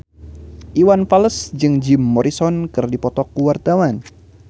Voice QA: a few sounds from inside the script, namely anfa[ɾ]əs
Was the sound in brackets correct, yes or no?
no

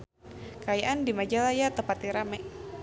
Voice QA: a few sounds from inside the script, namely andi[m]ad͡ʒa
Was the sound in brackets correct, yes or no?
yes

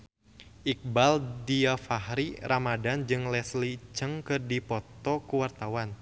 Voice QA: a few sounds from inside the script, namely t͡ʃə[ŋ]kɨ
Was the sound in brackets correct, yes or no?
yes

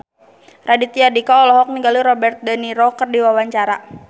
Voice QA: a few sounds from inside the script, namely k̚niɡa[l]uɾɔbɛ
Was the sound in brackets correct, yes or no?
yes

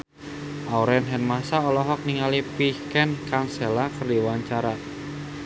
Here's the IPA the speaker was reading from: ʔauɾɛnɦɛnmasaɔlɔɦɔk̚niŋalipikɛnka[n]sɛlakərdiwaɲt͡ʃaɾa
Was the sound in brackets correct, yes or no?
no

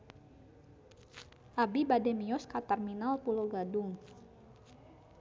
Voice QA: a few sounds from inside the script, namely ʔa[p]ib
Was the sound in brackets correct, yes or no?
no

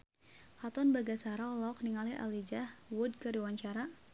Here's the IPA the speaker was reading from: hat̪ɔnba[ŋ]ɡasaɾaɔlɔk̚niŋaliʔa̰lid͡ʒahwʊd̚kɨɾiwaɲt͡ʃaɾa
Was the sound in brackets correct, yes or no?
no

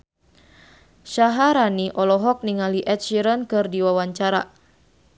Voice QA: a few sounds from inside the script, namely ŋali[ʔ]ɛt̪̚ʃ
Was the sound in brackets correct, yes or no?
yes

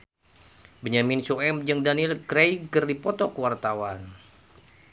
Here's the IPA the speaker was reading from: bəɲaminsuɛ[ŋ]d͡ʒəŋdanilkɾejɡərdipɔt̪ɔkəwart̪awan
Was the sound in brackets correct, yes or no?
no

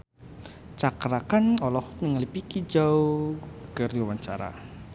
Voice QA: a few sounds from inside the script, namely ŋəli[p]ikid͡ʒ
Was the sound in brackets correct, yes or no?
yes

